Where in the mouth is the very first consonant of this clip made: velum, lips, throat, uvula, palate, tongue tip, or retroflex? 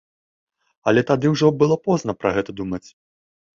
tongue tip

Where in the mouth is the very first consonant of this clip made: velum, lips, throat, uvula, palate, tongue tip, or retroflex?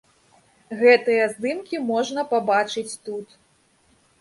velum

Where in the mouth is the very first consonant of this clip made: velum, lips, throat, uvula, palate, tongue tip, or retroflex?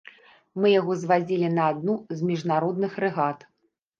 lips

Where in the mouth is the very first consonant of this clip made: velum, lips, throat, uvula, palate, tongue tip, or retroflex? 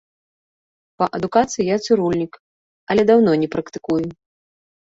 lips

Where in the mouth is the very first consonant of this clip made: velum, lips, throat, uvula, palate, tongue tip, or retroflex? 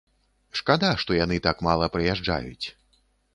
retroflex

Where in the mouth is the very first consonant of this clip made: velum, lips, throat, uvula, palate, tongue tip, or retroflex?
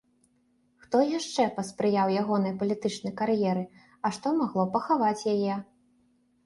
velum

